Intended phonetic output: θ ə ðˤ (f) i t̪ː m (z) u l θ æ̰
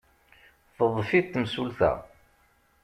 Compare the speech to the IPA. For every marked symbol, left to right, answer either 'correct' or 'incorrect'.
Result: correct, incorrect

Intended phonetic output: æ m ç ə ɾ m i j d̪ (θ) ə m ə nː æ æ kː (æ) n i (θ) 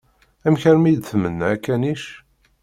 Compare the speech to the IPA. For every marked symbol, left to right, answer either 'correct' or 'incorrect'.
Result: correct, correct, incorrect

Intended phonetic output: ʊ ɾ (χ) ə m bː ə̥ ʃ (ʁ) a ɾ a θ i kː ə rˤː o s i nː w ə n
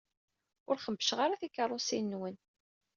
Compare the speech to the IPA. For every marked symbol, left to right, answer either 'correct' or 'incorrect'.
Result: correct, correct

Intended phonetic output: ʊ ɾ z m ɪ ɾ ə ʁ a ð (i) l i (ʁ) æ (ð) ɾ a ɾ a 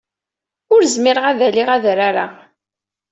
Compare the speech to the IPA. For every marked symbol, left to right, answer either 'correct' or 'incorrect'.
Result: incorrect, correct, correct

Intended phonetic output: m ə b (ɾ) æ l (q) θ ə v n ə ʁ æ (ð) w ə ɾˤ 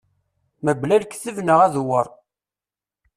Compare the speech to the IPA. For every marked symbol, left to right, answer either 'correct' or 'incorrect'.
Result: incorrect, incorrect, correct

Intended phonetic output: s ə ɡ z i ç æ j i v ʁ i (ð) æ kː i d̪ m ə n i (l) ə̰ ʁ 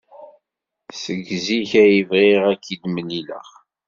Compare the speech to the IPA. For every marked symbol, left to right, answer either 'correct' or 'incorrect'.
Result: incorrect, correct

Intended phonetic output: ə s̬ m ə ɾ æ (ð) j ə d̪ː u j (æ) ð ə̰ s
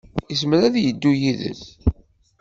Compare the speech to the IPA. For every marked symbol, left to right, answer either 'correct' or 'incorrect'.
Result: correct, incorrect

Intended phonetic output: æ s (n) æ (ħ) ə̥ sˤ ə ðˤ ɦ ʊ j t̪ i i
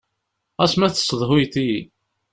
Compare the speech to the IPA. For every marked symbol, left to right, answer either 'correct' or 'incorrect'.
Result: incorrect, incorrect

